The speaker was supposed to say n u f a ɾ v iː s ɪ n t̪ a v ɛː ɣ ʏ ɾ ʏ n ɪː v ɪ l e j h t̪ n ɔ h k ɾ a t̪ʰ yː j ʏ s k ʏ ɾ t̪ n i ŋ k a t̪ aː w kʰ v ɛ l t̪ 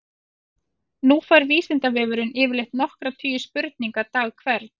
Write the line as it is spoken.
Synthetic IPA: n u f a ɾ v iː s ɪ n t̪ a v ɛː v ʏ ɾ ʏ n ɪː v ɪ l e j h t̪ n ɔ h k ɾ a t̪ʰ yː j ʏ s p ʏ ɾ t̪ n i ŋ k a t̪ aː ɣ kʰ v ɛ ɾ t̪